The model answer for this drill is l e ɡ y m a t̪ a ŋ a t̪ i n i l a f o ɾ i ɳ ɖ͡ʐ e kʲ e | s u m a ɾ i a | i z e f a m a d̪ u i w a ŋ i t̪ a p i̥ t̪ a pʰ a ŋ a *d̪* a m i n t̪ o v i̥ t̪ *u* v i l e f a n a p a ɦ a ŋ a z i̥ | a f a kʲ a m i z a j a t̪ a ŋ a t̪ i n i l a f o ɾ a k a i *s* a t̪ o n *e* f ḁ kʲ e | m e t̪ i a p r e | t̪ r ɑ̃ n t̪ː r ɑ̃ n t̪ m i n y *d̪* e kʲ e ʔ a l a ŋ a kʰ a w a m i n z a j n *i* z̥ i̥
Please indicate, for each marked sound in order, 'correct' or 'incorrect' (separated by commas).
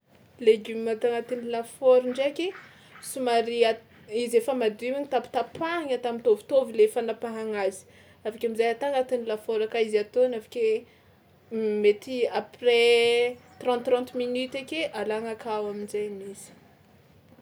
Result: incorrect, incorrect, incorrect, incorrect, incorrect, correct